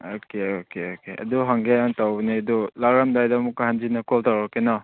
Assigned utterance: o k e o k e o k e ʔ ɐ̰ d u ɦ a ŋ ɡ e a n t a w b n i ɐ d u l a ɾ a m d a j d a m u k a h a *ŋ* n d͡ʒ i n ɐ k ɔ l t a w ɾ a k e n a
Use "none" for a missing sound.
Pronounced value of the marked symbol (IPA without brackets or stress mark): none